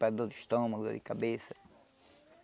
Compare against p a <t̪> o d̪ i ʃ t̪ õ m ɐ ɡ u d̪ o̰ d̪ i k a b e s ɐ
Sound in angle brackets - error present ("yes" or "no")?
yes